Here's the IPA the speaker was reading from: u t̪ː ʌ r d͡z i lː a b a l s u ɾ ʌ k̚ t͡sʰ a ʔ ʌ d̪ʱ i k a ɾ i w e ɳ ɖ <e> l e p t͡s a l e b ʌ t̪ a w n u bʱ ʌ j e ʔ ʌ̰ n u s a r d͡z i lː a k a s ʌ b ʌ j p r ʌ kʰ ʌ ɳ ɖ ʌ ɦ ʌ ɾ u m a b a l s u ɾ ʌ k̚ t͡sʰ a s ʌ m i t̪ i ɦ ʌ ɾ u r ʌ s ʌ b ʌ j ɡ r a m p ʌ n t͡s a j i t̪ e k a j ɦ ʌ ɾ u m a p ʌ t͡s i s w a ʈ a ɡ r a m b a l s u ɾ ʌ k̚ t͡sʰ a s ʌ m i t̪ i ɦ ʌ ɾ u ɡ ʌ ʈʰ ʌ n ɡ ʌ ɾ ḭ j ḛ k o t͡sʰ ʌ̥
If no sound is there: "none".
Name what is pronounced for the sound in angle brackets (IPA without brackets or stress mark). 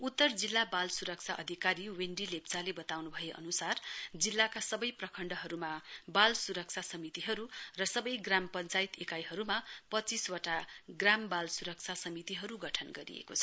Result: i